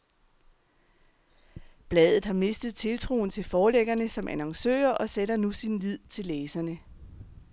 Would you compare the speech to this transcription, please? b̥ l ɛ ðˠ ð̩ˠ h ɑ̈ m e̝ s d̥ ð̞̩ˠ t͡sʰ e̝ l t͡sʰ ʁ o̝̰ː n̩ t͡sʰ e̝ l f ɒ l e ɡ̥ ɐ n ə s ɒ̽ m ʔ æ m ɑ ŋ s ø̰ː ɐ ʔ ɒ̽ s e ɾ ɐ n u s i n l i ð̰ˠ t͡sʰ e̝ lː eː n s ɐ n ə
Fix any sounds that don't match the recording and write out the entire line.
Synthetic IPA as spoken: b̥ l ɛ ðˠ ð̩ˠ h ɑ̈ m e̝ s d̥ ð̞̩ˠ t͡sʰ e̝ l t͡sʰ ʁ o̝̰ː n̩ t͡sʰ e̝ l f ɒː l e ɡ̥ ɐ n ə s ɒ̽ m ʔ æ n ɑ ŋ s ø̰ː ɐ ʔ ɒ̽ s e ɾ ɐ n u s i n l i ð̰ˠ t͡sʰ e̝ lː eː s ɐ n ə

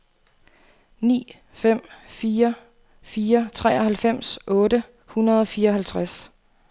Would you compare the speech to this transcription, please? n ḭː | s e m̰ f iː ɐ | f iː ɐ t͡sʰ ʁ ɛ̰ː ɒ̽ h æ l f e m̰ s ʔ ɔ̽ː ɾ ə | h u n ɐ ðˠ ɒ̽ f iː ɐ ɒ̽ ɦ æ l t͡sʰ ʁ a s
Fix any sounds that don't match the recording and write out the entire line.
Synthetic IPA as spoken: n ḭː | f e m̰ f iː ɐ | f iː ɐ t͡sʰ ʁ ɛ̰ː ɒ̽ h æ l f e m̰ s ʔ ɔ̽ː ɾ ə | h u n ɐ ðˠ ɒ̽ f iː ɐ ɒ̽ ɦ æ l t͡sʰ ʁ a s

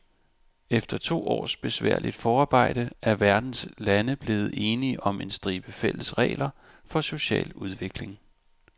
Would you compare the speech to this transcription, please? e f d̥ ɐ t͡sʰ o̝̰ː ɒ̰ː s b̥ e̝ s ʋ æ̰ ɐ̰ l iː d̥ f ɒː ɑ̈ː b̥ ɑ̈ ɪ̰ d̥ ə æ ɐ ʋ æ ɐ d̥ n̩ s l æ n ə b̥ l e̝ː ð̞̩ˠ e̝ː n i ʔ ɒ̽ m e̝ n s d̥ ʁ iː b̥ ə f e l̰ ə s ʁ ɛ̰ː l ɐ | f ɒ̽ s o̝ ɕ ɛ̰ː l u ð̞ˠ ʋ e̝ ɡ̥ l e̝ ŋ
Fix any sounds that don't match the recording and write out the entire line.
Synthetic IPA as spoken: e f d̥ ɐ t͡sʰ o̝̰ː ɒ̰ː s b̥ e̝ s ʋ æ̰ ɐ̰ l i d̥ f ɒː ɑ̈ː b̥ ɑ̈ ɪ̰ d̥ ə æ ɐ ʋ æ ɐ d̥ n̩ s l æ n ə b̥ l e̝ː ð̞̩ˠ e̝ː n i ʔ ɒ̽ m e̝ n s d̥ ʁ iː b̥ ə f e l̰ ə s ʁ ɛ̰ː l ɐ | f ɒ̽ s o̝ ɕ ɛ̰ː l u ð̞ˠ ʋ e̝ ɡ̥ l e̝ ŋ

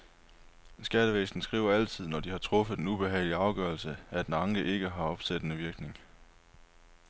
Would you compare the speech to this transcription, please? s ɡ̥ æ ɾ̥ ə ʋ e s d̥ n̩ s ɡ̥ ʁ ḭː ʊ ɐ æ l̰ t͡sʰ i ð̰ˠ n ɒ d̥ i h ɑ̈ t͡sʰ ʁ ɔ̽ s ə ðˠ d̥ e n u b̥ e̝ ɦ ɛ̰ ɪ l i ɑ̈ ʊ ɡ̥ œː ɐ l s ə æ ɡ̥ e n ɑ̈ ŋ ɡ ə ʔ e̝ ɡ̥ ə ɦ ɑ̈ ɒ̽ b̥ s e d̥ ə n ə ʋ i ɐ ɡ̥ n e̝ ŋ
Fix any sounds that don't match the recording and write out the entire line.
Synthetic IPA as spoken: s ɡ̥ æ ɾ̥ ə ʋ e s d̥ n̩ s ɡ̥ ʁ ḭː ʊ ɐ æ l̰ t͡sʰ i ð̰ˠ n ɒ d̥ i h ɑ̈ t͡sʰ ʁ ɔ̽ f ə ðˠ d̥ e n u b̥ e̝ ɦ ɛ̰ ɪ l i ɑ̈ ʊ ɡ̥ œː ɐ l s ə æ d̥ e n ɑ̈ ŋ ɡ ə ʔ e̝ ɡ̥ ə ɦ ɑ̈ ɒ̽ b̥ s e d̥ ə n ə ʋ i ɐ ɡ̥ n e̝ ŋ

